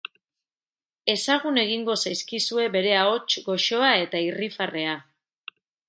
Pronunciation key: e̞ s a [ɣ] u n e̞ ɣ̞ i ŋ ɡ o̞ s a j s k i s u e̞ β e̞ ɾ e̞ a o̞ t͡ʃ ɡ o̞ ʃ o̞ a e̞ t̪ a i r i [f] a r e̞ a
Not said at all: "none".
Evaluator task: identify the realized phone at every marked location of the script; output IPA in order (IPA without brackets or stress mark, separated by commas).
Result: ɣ, f